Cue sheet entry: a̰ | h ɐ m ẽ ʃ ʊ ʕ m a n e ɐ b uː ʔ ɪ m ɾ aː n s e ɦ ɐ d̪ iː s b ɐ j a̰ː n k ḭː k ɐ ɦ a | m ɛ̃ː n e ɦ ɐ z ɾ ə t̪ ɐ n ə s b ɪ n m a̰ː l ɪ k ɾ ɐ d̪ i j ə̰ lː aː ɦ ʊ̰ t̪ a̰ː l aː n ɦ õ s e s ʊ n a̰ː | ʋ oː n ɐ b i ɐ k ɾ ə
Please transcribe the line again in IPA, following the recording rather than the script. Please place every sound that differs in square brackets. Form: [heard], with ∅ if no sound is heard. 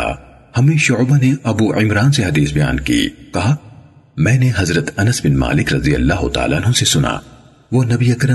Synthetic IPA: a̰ | h ɐ m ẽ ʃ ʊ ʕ [b] a n e ɐ b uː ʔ ɪ m ɾ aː n s e ɦ ɐ d̪ iː s b ɐ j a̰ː n k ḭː k ɐ ɦ a | m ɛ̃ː n e ɦ ɐ z ɾ ə t̪ ɐ n ə s b ɪ n m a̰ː l ɪ k ɾ ɐ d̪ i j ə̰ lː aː ɦ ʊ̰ t̪ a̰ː l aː n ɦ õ s e s ʊ n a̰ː | ʋ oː n ɐ b i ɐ k ɾ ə